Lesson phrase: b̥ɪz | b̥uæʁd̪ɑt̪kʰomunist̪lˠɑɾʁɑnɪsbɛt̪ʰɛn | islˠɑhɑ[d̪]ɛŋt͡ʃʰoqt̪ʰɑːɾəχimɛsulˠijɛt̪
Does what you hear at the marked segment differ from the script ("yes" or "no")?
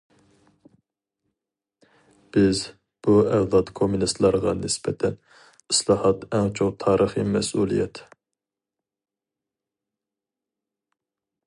yes